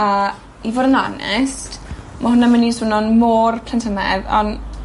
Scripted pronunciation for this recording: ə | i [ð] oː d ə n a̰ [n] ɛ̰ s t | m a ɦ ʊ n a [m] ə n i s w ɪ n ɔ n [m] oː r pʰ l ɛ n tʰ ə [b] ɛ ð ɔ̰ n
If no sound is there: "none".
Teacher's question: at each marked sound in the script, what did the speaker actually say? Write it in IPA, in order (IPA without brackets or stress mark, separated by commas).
v, n, m, m, m